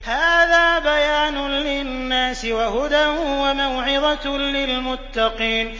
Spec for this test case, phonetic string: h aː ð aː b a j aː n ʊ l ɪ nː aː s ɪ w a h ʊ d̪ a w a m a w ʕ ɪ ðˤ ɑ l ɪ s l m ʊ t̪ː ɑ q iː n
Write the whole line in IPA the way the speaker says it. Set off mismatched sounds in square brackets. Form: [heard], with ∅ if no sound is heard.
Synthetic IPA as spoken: h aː ð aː b a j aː n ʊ l ɪ nː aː s ɪ w a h ʊ d̪ a w a m a w ʕ ɪ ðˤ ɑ l ɪ [∅] l m ʊ t̪ː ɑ q iː n